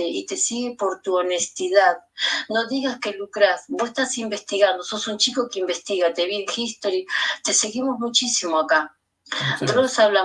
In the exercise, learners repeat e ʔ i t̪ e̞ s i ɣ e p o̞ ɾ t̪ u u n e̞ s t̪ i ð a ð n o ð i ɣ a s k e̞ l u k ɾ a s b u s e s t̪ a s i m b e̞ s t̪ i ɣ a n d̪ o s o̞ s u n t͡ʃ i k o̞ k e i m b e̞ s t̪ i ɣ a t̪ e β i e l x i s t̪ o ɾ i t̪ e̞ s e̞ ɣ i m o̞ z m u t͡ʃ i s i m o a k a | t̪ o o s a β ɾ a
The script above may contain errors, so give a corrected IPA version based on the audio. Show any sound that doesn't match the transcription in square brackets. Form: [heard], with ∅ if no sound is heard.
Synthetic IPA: e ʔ i t̪ e̞ s i ɣ e p o̞ ɾ t̪ u [o] n e̞ s t̪ i ð a ð n o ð i ɣ a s k e̞ l u k ɾ a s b [o] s e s t̪ a s i m b e̞ s t̪ i ɣ a n d̪ o s o̞ s u n t͡ʃ i k o̞ k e i m b e̞ s t̪ i ɣ a t̪ e β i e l x i s t̪ o ɾ i t̪ e̞ s e̞ ɣ i m o̞ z m u t͡ʃ i s i m o a k a | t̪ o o s a β [l] a